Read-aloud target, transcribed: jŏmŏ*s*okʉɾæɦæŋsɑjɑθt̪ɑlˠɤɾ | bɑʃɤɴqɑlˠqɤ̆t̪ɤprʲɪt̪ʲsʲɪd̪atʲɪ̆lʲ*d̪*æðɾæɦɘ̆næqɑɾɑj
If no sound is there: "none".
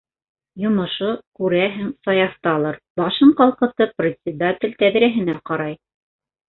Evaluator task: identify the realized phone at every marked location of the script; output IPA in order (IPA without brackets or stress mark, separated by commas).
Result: ʃ, t̪